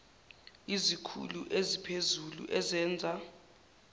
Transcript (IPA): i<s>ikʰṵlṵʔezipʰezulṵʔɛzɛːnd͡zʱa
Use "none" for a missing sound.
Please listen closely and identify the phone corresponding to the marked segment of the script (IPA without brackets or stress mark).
z